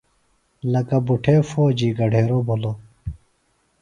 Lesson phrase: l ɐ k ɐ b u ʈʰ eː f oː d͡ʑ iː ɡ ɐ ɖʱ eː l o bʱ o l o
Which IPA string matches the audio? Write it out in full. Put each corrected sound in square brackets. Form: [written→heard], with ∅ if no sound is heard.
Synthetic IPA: l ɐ k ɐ b u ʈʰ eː f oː d͡ʑ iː ɡ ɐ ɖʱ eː [l→ɾ] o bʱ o l o